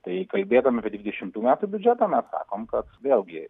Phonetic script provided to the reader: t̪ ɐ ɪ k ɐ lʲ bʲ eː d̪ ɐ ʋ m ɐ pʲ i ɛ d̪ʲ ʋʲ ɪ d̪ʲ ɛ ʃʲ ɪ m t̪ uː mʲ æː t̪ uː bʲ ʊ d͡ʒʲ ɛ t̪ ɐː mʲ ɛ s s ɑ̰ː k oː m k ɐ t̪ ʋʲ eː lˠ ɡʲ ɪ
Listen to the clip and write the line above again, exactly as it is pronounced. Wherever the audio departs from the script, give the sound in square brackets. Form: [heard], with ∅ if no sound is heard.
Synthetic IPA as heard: t̪ ɐ ɪ k ɐ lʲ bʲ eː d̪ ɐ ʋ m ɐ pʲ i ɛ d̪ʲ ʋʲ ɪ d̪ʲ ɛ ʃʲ ɪ m t̪ uː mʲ æː t̪ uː bʲ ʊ d͡ʒʲ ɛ t̪ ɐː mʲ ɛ s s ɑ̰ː k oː m k ɐ t̪ ʋʲ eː lˠ ɡʲ ɪ